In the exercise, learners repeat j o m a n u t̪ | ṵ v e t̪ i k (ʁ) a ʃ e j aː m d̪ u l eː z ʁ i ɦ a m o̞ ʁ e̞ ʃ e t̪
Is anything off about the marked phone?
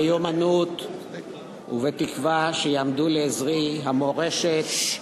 yes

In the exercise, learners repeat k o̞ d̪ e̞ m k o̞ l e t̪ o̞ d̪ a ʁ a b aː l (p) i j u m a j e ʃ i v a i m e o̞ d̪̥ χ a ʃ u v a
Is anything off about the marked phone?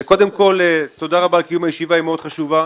yes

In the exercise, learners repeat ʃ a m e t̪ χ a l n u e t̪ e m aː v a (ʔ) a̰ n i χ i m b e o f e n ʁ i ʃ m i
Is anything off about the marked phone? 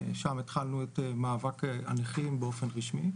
yes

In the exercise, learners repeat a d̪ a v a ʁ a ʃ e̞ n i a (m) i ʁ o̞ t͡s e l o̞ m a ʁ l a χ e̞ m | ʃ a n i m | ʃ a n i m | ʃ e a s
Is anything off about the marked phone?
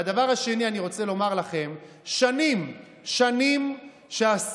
yes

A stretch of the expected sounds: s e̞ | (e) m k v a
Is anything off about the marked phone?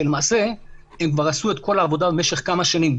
no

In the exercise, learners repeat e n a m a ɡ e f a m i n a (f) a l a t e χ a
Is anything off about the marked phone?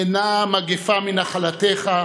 yes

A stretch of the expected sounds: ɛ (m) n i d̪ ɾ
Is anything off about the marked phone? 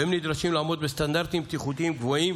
no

